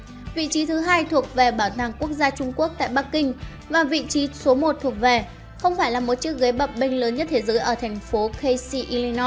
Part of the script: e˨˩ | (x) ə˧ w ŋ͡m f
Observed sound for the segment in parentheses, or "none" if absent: x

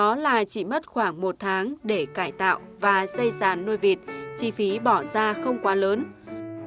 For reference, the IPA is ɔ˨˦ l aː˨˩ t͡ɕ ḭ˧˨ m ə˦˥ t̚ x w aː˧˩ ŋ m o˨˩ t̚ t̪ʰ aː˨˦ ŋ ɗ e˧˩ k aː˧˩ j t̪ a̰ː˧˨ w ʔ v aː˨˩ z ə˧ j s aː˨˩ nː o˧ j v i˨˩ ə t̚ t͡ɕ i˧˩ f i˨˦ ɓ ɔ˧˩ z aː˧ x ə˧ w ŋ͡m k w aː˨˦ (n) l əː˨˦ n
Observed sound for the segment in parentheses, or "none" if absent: none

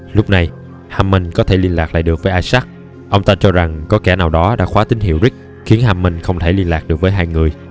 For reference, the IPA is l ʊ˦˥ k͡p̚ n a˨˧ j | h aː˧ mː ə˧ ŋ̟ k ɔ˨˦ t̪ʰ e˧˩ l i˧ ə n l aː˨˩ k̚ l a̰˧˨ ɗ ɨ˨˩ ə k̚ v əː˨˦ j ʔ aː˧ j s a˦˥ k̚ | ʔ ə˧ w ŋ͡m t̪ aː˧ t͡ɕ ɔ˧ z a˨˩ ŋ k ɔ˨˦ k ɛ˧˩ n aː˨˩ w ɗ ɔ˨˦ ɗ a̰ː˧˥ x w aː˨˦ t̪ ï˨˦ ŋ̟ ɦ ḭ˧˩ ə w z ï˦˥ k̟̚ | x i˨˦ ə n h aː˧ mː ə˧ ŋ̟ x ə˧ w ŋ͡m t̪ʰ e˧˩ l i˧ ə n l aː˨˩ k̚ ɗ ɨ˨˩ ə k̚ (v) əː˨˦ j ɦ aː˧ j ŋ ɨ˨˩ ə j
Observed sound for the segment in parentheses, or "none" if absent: v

